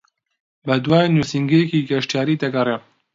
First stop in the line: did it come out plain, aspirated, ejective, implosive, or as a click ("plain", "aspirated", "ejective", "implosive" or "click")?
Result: plain